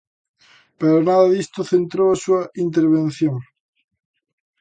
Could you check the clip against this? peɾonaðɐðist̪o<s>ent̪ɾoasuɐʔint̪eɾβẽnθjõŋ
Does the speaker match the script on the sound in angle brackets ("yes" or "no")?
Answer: no